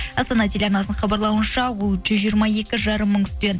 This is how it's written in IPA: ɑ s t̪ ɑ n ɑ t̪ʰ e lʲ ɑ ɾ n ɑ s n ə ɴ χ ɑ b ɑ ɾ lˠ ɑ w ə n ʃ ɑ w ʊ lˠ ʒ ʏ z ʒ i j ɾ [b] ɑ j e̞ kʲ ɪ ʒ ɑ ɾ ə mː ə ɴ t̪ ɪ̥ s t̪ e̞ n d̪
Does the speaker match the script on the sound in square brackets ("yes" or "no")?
no